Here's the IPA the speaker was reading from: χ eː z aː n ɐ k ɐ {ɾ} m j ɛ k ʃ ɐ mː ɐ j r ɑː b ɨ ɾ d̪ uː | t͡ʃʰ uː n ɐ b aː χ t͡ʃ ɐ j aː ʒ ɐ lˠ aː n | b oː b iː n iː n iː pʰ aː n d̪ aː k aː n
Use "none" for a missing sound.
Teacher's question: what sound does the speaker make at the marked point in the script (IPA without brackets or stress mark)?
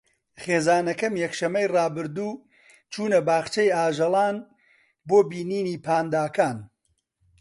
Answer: none